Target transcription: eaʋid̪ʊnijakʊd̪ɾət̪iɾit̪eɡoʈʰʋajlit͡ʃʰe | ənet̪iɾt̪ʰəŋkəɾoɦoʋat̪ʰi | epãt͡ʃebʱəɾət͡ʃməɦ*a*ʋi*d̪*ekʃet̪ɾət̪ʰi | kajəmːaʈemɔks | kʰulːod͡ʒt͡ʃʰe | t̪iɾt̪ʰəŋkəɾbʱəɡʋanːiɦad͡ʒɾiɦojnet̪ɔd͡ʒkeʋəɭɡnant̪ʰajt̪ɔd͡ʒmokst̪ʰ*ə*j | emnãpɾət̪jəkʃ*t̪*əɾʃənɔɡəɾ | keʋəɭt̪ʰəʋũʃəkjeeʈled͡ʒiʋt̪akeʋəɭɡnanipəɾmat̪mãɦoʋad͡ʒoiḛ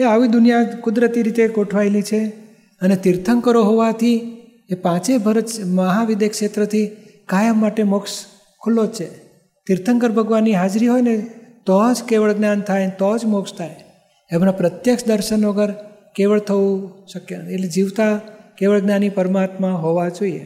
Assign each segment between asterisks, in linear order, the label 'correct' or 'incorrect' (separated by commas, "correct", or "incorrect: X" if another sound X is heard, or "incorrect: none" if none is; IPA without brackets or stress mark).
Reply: correct, correct, incorrect: a, incorrect: d̪